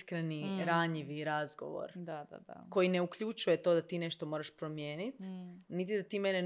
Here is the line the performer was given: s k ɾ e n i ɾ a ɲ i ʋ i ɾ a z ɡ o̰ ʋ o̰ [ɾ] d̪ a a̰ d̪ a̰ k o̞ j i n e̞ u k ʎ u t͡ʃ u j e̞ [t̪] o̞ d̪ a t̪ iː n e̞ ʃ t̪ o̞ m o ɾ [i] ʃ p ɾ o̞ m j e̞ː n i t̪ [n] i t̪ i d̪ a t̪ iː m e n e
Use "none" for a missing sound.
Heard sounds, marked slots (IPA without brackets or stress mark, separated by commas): ɾ, t̪, a, n